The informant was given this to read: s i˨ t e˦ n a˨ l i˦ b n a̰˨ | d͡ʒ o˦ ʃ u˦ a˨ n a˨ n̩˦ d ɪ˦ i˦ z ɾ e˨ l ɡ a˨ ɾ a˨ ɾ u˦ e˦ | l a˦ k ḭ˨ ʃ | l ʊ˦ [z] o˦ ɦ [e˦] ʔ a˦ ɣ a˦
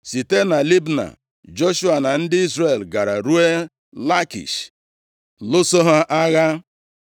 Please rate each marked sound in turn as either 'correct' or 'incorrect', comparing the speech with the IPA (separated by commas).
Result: incorrect, incorrect